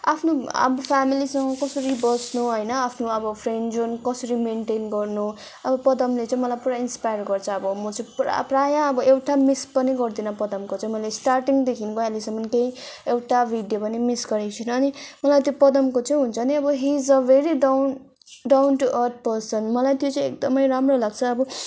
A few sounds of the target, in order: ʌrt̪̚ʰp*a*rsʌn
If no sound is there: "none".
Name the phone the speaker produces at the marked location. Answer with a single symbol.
ʌ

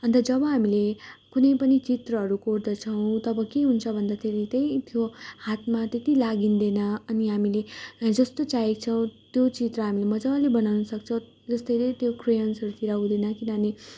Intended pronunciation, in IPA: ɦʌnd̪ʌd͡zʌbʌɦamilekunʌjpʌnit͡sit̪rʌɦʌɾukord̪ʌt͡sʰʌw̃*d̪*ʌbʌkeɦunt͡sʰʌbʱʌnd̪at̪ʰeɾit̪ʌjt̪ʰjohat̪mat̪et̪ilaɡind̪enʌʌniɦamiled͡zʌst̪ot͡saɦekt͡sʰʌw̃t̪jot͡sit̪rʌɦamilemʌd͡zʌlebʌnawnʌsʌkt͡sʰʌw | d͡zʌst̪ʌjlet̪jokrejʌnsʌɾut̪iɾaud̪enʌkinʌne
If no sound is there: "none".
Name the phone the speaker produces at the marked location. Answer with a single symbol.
t̪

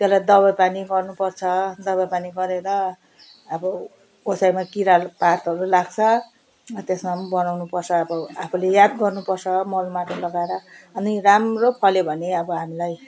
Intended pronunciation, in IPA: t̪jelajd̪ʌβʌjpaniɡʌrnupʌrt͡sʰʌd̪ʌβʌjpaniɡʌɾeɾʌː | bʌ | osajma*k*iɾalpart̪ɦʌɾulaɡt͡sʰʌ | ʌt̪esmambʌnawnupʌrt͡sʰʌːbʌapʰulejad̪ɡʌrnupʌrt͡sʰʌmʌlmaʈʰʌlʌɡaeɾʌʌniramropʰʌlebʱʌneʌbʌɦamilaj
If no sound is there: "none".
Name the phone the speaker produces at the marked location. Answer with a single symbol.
k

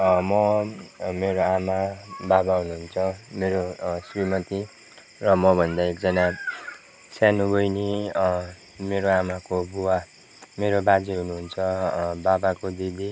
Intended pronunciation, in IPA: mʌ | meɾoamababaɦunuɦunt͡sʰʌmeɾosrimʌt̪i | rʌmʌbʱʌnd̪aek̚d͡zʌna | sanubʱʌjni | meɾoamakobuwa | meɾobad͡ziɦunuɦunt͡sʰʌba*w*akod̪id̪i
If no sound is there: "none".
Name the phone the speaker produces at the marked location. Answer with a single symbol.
b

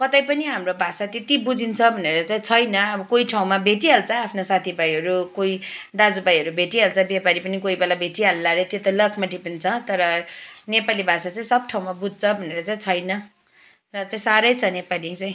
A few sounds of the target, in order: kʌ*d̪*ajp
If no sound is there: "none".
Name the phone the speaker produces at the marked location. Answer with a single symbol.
t̪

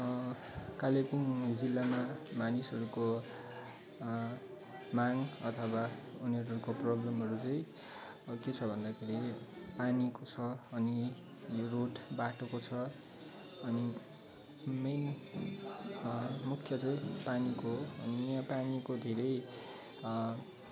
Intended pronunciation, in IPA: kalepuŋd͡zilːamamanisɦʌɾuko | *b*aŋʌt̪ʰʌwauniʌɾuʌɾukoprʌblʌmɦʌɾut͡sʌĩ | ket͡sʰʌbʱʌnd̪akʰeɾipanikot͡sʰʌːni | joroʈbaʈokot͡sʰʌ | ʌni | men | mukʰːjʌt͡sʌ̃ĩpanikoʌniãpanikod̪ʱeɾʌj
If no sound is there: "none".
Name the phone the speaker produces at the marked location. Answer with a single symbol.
m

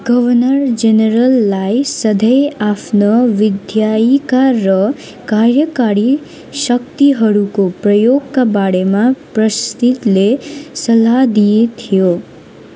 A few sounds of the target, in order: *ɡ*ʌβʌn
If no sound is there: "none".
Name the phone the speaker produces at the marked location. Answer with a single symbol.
ɡ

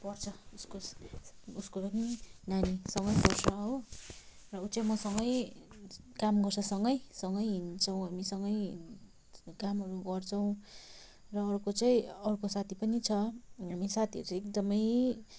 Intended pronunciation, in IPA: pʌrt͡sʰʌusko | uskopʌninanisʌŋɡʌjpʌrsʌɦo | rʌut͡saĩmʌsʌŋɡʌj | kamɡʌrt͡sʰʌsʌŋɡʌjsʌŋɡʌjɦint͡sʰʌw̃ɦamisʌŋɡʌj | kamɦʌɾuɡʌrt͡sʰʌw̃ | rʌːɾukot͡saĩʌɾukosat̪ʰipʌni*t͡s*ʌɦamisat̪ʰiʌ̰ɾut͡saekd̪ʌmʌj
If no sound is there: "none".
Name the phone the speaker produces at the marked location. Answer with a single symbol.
t͡sʰ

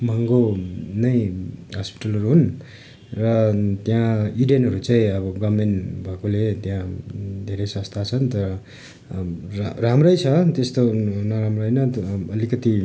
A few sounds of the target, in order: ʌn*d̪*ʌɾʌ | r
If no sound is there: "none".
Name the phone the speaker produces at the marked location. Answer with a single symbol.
t̪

